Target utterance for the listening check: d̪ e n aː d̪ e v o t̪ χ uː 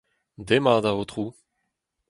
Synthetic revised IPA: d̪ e m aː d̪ a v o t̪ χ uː